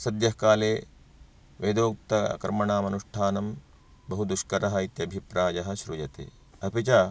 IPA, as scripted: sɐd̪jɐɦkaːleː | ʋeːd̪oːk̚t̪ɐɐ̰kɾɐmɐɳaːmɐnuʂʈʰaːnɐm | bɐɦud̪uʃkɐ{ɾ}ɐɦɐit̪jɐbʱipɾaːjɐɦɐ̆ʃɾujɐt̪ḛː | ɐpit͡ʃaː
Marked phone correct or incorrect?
correct